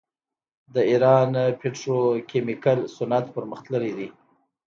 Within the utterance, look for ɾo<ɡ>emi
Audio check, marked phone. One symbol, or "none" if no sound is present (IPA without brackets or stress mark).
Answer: k